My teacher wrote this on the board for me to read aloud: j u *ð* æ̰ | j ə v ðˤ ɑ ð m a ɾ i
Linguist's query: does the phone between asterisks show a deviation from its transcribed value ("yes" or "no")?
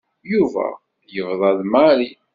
yes